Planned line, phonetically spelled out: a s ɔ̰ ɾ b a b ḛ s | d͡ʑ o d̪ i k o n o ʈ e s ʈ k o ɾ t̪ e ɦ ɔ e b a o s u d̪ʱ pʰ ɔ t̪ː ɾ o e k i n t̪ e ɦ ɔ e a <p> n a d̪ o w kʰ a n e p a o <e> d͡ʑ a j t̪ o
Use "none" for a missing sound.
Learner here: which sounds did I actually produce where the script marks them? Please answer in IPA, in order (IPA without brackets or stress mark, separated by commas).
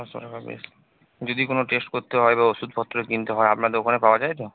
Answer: p, a